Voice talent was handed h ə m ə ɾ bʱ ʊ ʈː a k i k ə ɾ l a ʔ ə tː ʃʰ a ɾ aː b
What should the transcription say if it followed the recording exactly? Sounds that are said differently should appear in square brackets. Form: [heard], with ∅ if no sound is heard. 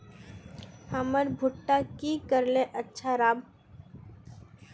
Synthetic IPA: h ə m ə ɾ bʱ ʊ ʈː a k i k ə ɾ l [e] ʔ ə tː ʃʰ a ɾ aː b

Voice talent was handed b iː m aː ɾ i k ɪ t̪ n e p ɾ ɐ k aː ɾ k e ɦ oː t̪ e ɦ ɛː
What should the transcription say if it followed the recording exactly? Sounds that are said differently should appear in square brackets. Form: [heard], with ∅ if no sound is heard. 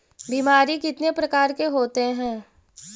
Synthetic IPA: b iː m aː ɾ i k ɪ t̪ n e p ɾ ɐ k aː ɾ k e ɦ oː t̪ e ɦ [ɛ̃ː]

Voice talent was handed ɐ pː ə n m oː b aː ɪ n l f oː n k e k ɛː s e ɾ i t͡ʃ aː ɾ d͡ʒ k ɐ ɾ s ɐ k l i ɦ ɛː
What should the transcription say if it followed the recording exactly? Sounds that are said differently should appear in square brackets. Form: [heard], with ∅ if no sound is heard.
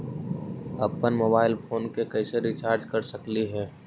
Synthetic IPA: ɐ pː ə n m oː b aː ɪ [∅] l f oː n k e k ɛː s e ɾ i t͡ʃ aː ɾ d͡ʒ k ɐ ɾ s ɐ k l i ɦ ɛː

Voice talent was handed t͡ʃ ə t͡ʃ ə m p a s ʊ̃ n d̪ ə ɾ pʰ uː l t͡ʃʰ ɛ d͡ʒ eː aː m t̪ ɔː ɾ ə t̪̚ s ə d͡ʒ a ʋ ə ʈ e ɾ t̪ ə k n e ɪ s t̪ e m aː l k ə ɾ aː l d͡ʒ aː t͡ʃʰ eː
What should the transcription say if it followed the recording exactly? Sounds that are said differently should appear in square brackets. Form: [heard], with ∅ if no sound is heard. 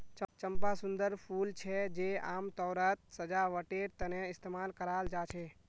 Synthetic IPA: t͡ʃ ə t͡ʃ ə m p a s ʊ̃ n d̪ ə ɾ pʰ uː l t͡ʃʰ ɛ d͡ʒ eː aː m t̪ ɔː ɾ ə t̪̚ s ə d͡ʒ a ʋ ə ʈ e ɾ t̪ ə [∅] n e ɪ s t̪ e m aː l k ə ɾ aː l d͡ʒ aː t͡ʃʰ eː

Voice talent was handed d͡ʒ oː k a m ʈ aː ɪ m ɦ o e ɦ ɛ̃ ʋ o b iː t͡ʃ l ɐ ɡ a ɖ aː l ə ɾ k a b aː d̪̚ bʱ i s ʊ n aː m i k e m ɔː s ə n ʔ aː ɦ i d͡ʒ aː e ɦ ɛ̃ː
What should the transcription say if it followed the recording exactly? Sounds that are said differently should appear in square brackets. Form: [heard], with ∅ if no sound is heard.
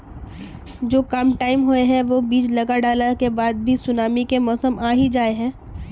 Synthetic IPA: d͡ʒ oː k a m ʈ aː ɪ m ɦ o e ɦ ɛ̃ ʋ o b iː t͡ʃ l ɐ ɡ a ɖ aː l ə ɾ k [e] b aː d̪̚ bʱ i s ʊ n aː m i k e m ɔː s ə [m] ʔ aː ɦ i d͡ʒ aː e ɦ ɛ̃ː

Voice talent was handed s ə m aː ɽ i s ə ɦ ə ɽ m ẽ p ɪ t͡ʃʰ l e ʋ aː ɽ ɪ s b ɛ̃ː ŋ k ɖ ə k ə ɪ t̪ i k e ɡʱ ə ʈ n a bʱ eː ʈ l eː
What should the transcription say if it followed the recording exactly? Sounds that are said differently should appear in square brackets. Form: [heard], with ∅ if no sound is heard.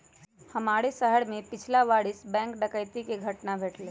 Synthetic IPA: [h] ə m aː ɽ [e] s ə ɦ ə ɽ m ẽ p ɪ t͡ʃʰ l [a] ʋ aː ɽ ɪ s b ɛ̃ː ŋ k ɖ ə k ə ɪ t̪ i k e ɡʱ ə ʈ n a bʱ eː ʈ l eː

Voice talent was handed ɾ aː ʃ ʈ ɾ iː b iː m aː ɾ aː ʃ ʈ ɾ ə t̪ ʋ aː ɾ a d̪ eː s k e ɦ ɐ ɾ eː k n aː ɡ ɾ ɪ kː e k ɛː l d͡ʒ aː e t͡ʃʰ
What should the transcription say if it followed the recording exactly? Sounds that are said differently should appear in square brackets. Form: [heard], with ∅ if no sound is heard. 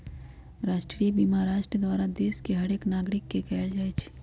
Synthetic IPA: ɾ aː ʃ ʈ ɾ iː b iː m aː ɾ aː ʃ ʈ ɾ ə [d̪] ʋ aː ɾ a d̪ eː s k e ɦ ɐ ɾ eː k n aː ɡ ɾ ɪ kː e k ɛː l d͡ʒ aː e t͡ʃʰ

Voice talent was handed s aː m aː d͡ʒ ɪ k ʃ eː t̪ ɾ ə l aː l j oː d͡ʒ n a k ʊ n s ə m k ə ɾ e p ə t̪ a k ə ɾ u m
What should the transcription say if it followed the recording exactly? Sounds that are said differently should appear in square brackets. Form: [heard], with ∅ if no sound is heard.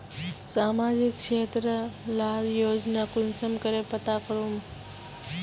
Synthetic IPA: s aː m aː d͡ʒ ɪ k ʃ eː t̪ ɾ ə l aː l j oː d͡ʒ n a k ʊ n s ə m k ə ɾ e p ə t̪ a k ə ɾ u m

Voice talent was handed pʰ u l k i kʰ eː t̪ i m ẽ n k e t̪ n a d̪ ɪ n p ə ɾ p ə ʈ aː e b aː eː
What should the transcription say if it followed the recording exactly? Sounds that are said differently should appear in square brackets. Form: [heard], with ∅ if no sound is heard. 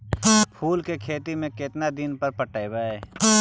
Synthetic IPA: pʰ [uː] l k [e] kʰ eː t̪ i m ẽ [∅] k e t̪ n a d̪ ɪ n p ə ɾ p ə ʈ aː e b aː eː

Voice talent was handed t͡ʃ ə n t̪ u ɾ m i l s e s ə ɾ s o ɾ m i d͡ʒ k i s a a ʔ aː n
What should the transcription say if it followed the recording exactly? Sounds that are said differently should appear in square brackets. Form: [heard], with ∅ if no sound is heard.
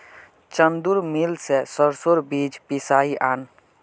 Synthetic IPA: t͡ʃ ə n [d̪] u ɾ m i l s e s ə ɾ s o ɾ [b] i d͡ʒ [p] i s a [i] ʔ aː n

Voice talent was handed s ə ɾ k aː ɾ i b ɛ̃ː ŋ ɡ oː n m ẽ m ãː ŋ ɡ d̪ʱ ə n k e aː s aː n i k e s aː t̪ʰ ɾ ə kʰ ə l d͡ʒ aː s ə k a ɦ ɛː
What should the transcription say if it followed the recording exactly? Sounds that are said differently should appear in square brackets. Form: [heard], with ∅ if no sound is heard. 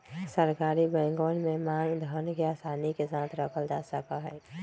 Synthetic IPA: s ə ɾ k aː ɾ i b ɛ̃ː ŋ ɡ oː n m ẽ m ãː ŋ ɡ d̪ʱ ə n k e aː s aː n i k e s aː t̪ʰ ɾ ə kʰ ə l d͡ʒ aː s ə k a ɦ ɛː

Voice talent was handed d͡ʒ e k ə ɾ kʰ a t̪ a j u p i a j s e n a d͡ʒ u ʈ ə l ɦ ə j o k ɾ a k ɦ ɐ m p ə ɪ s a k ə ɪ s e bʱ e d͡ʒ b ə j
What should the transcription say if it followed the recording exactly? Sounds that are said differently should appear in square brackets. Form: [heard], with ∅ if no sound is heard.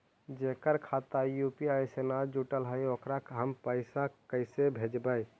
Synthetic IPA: d͡ʒ e k ə ɾ kʰ a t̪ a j u p i a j s e n a d͡ʒ u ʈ ə l ɦ ə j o k ɾ a k ɦ [ə] m p ə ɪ s a k ə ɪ s e bʱ e d͡ʒ b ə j

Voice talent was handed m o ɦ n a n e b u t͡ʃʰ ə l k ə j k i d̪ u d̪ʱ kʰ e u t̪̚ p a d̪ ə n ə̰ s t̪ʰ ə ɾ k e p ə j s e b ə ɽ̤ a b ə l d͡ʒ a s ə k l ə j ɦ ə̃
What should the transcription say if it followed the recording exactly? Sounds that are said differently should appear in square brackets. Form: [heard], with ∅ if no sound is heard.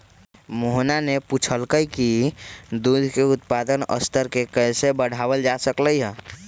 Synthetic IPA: m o ɦ n a n e [p] u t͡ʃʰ ə l k ə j k i d̪ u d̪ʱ [k] e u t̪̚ p a d̪ ə n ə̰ s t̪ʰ ə ɾ k e [k] ə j s e b ə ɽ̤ a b ə l d͡ʒ a s ə k l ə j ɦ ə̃

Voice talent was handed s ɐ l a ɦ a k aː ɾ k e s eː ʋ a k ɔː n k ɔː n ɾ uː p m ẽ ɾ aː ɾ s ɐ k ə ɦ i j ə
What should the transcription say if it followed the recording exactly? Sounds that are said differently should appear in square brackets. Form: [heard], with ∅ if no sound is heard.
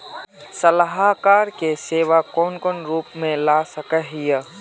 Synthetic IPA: s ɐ l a ɦ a k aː ɾ k e s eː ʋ a k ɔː n k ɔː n ɾ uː p m ẽ [l] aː [∅] s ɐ k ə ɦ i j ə

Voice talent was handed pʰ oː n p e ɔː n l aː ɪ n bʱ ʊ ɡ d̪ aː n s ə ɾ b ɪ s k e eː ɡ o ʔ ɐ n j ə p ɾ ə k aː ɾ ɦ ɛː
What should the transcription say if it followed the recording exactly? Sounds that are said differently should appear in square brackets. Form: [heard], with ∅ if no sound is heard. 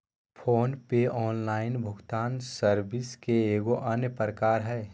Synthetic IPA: pʰ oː n p e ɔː n l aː ɪ n bʱ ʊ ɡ [t̪] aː n s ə ɾ b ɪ s k e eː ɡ o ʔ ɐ n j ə p ɾ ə k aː ɾ ɦ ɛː

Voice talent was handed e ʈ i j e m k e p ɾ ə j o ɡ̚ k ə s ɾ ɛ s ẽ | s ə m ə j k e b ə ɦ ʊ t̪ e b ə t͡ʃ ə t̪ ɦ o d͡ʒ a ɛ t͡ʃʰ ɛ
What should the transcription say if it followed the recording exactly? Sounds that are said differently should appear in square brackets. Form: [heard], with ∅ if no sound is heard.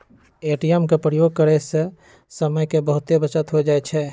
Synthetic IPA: e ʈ i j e m k e p ɾ ə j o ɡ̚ k ə [∅] ɾ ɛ s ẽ | s ə m ə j k e b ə ɦ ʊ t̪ e b ə t͡ʃ ə t̪ ɦ o d͡ʒ a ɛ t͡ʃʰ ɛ

